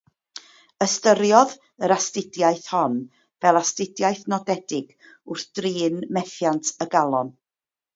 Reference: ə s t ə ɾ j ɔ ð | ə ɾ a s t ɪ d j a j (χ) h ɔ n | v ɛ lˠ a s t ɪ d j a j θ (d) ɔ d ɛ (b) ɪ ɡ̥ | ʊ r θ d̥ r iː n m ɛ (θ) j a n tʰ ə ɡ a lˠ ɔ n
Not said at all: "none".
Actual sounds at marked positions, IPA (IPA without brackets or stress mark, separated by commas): θ, n, d, θ